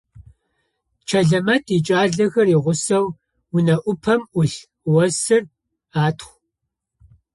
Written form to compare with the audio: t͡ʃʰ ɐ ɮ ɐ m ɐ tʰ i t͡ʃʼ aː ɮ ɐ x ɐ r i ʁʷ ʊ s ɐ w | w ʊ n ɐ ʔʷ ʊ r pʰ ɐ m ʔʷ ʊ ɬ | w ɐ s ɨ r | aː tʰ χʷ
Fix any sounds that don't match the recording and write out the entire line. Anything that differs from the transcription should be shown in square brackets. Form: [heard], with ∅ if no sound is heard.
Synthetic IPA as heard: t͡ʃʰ ɐ ɮ ɐ m ɐ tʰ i t͡ʃʼ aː ɮ ɐ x ɐ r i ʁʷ ʊ s ɐ w | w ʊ n ɐ ʔʷ ʊ [∅] pʰ ɐ m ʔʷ ʊ ɬ | w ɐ s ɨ r | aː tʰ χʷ